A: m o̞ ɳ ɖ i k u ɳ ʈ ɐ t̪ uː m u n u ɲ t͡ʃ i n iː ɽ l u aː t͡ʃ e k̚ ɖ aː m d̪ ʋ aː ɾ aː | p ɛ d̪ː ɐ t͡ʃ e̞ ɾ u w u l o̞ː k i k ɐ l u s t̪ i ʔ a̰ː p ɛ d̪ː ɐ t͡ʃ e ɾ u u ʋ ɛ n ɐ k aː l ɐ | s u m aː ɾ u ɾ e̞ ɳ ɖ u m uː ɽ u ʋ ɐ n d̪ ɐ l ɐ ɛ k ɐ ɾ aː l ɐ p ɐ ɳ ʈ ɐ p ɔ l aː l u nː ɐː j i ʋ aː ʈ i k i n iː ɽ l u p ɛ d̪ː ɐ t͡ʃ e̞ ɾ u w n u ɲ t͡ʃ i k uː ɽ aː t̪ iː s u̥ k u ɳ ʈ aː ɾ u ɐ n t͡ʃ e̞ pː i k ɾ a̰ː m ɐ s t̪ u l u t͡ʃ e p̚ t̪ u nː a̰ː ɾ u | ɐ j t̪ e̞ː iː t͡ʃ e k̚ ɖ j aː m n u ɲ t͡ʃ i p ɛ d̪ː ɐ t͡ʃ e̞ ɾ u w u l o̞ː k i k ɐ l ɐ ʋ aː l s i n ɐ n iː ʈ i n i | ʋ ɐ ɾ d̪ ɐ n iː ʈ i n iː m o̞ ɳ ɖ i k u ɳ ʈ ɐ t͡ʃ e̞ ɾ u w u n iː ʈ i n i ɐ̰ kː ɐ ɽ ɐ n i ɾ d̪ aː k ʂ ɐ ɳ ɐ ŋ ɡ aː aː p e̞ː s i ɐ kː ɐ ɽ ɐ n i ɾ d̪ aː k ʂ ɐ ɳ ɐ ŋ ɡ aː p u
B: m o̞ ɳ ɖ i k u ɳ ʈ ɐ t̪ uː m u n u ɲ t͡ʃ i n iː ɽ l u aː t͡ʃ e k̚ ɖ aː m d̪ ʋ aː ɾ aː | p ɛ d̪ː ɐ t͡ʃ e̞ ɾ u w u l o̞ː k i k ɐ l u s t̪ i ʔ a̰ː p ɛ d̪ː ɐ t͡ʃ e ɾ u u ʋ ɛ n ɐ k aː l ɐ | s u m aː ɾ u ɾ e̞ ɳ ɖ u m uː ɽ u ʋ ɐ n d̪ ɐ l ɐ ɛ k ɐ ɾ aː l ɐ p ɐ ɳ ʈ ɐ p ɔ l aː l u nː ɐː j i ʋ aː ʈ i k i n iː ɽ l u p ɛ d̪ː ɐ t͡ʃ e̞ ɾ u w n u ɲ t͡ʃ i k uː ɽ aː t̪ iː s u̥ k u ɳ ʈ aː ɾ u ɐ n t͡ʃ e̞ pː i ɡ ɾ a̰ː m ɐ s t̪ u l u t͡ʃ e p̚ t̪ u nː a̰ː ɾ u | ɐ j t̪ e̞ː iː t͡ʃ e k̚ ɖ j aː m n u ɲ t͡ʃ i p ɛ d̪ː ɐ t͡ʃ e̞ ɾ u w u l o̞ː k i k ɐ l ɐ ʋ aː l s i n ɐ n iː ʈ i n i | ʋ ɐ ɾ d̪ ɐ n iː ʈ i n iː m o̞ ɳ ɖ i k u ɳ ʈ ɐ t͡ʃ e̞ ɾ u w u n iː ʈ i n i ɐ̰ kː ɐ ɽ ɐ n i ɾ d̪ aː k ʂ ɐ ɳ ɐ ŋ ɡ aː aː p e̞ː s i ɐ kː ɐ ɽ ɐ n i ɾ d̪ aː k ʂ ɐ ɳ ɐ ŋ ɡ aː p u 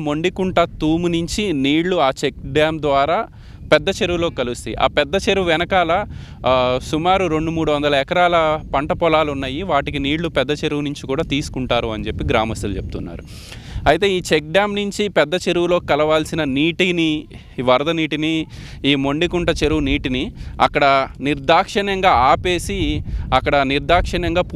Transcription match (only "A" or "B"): B